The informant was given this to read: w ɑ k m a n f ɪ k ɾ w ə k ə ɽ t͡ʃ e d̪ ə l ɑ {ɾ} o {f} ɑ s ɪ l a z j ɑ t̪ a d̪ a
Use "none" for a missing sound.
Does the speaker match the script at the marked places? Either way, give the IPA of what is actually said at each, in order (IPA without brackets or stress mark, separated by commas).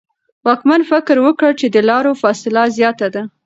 ɾ, f